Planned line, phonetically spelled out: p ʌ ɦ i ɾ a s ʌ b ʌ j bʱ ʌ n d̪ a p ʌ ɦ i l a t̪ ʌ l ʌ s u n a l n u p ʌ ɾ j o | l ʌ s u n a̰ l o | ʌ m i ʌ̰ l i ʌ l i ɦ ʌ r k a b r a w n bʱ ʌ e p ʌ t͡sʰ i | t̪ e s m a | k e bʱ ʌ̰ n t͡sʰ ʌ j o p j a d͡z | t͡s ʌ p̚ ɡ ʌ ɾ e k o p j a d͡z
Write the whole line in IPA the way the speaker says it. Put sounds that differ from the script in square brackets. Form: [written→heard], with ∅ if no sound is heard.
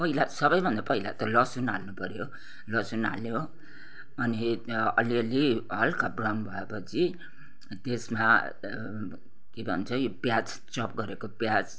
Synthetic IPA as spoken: p ʌ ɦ i [ɾ→l] a s ʌ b ʌ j bʱ ʌ n d̪ a p ʌ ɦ i l a t̪ ʌ l ʌ s u n a l n u p ʌ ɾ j o | l ʌ s u n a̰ l o | ʌ [m→n] i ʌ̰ l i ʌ l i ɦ ʌ [r→l] k a b r a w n bʱ ʌ e p ʌ t͡sʰ i | t̪ e s m a | k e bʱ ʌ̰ n t͡sʰ ʌ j o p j a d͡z | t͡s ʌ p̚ ɡ ʌ ɾ e k o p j a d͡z

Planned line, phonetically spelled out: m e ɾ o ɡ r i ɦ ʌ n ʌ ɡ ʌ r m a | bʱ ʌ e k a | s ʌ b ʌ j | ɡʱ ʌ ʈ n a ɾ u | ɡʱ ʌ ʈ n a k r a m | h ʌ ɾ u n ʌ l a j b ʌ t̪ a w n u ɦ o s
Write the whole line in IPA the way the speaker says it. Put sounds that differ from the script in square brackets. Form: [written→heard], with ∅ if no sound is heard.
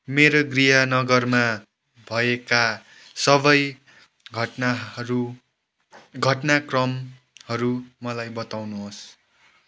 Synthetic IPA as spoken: m e ɾ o ɡ r i ɦ ʌ n ʌ ɡ ʌ r m a | bʱ ʌ e k a | s ʌ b ʌ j | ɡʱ ʌ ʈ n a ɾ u | ɡʱ ʌ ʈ n a k r [a→ʌ] m | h ʌ ɾ u [n→m] ʌ l a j b ʌ t̪ a w n u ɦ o s

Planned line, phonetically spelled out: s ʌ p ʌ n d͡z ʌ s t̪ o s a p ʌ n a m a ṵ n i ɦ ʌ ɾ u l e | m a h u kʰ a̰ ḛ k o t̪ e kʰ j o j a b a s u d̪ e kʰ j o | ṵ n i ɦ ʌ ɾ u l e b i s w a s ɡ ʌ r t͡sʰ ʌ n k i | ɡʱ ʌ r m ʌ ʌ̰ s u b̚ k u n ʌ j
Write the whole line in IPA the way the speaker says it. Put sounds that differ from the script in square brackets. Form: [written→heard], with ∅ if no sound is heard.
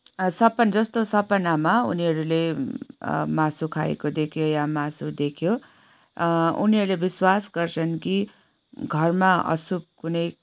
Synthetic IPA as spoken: s ʌ p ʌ n d͡z ʌ s t̪ o s [a→ʌ] p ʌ n a m a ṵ n i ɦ ʌ ɾ u l e | m a [h→s] u kʰ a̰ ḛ k o [t̪→d̪] e kʰ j o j a [b→m] a s u d̪ e kʰ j o | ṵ n i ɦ ʌ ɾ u l e b i s w a s ɡ ʌ r t͡sʰ ʌ n k i | ɡʱ ʌ r m [ʌ→a] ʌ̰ s u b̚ k u n ʌ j

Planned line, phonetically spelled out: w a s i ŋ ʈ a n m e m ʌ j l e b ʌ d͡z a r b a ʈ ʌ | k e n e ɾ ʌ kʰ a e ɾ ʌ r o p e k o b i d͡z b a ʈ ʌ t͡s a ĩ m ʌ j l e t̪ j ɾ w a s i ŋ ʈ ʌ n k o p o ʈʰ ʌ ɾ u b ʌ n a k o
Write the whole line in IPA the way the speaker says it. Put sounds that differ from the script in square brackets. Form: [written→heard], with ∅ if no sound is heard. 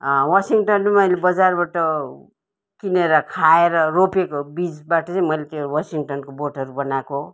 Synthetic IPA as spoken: w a s i ŋ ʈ [a→ʌ] n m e m ʌ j l e b ʌ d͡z a r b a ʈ ʌ | k [e→i] n e ɾ ʌ kʰ a e ɾ ʌ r o p e k o b i d͡z b a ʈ ʌ t͡s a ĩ m ʌ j l e t̪ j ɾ w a s i ŋ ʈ ʌ n k o [p→b] o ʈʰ ʌ ɾ u b ʌ n a k o

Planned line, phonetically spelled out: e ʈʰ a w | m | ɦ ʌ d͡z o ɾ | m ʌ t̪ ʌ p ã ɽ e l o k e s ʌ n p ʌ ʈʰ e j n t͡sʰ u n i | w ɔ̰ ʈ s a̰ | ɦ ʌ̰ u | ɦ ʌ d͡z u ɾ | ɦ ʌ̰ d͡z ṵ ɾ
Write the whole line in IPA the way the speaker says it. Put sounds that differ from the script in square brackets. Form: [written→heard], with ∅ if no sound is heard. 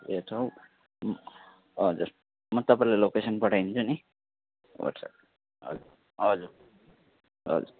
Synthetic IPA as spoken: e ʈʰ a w | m | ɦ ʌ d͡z [o→u] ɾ | m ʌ t̪ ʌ p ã [ɽ→l] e l o k e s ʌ n p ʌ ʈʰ [e→a] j n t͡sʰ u n i | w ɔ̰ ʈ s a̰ | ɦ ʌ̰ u | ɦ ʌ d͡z u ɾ | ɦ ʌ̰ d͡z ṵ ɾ

